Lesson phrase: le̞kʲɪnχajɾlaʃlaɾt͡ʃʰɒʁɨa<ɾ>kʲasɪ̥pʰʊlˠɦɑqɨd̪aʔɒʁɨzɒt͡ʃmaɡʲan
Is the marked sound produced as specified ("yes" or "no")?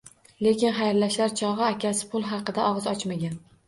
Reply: no